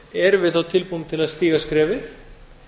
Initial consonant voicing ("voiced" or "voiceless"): voiced